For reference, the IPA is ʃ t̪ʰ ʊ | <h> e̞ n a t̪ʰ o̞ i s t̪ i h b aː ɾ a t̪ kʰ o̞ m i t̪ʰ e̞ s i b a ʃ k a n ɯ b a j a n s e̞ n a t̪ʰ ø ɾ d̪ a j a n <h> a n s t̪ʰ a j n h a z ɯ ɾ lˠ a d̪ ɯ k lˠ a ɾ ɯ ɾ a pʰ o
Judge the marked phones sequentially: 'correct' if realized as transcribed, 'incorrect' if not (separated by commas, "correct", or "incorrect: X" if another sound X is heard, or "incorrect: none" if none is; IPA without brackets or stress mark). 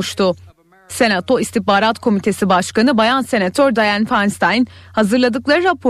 incorrect: s, incorrect: f